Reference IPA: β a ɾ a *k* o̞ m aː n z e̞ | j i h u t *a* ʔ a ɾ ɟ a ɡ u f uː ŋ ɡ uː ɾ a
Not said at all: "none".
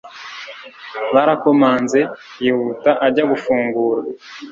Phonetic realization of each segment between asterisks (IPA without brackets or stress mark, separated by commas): k, a